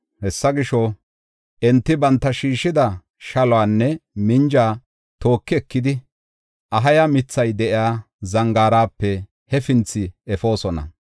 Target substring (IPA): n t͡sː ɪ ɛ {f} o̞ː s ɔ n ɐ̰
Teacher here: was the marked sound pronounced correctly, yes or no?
yes